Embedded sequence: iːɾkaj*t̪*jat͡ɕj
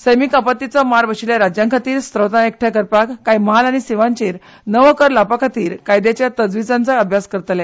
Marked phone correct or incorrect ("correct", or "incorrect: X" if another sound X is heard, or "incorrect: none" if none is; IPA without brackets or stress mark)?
incorrect: d̪